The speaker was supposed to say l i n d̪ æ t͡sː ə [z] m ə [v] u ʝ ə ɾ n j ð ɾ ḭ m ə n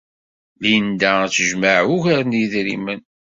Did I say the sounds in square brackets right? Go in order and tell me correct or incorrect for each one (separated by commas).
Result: incorrect, incorrect